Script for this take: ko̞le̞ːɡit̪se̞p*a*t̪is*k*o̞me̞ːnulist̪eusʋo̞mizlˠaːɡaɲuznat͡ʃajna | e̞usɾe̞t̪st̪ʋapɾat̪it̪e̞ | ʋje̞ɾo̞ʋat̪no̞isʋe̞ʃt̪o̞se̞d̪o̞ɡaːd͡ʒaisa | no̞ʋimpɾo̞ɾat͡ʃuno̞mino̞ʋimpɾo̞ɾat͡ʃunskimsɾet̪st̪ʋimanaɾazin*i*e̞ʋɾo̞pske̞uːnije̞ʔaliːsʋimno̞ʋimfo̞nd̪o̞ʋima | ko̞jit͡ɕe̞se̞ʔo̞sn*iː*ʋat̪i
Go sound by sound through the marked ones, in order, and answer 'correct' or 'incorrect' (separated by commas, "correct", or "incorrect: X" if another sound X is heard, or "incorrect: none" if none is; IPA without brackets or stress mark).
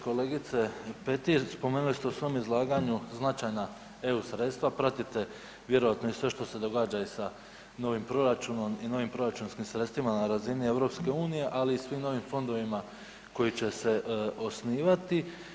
incorrect: e, incorrect: p, correct, correct